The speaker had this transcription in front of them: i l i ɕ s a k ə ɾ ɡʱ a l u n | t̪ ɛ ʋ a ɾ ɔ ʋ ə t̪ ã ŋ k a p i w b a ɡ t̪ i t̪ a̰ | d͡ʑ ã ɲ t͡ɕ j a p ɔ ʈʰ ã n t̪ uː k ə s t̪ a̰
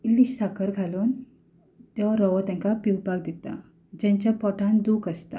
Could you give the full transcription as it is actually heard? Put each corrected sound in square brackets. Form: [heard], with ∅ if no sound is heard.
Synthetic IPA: i l i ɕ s a k ə ɾ ɡʱ a l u n | t̪ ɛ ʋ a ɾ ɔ ʋ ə t̪ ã ŋ k a p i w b a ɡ [d̪] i t̪ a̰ | d͡ʑ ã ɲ t͡ɕ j a p ɔ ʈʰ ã n [d̪] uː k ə s t̪ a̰